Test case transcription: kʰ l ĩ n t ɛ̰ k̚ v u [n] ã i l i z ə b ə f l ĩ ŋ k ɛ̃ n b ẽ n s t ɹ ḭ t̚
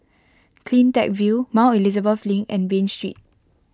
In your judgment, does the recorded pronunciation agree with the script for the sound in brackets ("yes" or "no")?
no